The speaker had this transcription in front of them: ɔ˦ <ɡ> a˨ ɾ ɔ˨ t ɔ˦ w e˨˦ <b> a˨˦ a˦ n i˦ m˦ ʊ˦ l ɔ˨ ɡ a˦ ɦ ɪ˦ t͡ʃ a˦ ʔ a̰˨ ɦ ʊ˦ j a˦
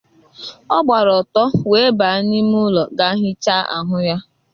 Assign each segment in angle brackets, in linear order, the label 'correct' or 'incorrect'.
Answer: incorrect: ɡ͡b, correct

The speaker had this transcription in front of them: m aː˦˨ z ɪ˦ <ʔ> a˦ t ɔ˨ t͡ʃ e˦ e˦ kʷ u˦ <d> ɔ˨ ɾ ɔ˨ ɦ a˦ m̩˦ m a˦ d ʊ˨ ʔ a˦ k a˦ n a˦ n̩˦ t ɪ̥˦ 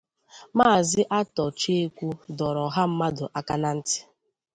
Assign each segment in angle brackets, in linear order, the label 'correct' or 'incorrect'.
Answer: correct, correct

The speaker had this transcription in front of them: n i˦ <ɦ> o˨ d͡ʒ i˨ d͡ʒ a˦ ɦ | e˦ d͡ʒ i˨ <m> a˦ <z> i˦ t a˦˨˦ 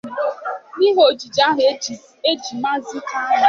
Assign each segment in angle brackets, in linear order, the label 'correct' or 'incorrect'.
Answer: correct, correct, correct

